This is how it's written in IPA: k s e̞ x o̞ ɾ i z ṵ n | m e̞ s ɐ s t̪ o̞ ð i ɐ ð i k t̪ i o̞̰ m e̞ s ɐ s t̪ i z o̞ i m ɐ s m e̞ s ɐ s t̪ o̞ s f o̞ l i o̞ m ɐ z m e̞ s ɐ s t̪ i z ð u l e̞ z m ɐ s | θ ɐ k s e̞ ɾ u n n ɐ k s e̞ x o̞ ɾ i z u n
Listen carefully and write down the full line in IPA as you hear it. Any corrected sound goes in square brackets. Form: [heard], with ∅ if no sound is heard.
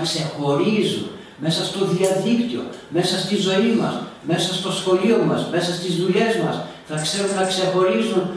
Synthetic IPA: k s e̞ x o̞ ɾ i z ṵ n | m e̞ s ɐ s t̪ o̞ ð i ɐ ð i k t̪ i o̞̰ m e̞ s ɐ s t̪ i z o̞ i m ɐ s m e̞ s ɐ s t̪ o̞ s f o̞ l i o̞ m ɐ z m e̞ s ɐ s t̪ i z ð u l e̞ z m ɐ s | θ ɐ k s e̞ ɾ u n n ɐ k s e̞ x o̞ ɾ i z u n